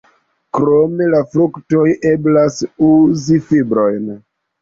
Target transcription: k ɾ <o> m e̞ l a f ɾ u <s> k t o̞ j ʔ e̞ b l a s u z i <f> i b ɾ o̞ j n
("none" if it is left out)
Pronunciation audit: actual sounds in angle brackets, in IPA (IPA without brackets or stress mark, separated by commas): o, none, f